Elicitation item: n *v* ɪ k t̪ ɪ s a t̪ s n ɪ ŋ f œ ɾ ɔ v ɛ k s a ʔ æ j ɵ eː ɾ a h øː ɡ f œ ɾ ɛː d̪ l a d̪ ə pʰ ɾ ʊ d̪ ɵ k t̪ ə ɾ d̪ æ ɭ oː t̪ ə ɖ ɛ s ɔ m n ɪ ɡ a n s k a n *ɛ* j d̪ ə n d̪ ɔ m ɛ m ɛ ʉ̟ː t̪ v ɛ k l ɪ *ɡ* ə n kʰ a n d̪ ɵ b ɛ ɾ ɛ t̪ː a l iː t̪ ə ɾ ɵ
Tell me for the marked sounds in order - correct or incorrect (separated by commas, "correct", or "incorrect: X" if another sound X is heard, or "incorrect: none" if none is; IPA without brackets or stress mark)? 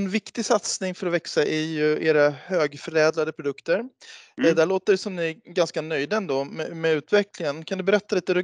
correct, incorrect: œ, incorrect: ŋ